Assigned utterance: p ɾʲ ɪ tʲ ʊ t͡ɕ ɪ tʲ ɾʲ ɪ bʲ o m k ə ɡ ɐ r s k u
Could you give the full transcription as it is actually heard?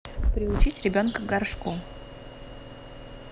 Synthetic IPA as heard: p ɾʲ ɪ ʊ t͡ɕ i tʲ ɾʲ ɪ bʲ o n k ə ɡ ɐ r ʂ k u